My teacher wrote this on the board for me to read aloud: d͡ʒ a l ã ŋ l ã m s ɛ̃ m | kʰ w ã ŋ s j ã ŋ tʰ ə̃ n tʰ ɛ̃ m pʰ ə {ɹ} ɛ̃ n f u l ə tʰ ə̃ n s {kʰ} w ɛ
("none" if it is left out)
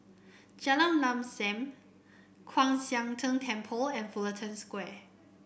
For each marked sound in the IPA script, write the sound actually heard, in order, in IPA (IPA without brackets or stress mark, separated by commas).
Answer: l, k